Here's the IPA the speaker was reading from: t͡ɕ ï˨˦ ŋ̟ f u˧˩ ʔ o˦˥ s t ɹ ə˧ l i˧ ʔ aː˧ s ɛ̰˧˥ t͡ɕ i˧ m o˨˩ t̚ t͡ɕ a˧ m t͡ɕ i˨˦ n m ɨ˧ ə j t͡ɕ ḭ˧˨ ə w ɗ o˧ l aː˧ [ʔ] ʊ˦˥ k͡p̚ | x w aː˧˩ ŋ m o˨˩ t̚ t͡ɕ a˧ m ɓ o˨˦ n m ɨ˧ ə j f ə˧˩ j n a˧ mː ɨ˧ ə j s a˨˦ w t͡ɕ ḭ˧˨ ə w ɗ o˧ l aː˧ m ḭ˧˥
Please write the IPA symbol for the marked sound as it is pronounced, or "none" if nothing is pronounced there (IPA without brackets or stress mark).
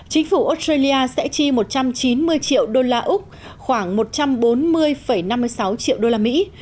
ʔ